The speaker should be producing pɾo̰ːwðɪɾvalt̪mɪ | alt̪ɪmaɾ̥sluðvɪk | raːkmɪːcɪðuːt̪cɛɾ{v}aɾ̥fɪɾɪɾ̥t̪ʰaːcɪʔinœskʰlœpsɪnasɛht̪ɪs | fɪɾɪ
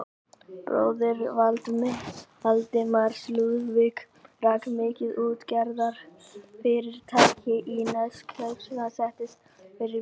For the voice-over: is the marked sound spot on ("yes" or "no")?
no